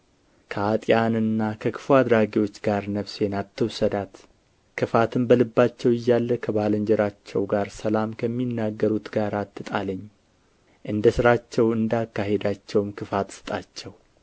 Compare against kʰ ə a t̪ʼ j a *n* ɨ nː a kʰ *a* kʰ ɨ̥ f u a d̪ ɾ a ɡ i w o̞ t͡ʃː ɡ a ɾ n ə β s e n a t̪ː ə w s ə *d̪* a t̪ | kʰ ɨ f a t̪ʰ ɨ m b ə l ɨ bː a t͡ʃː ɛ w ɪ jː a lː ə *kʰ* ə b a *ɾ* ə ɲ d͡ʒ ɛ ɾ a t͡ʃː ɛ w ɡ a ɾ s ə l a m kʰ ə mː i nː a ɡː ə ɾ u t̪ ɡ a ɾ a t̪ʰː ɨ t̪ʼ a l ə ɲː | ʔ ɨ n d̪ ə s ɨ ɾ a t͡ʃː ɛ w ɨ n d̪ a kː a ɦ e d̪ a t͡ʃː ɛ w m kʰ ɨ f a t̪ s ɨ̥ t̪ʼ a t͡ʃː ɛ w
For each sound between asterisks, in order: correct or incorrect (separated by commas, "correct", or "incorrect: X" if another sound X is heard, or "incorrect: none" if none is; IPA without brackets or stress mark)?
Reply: correct, incorrect: ə, correct, correct, incorrect: l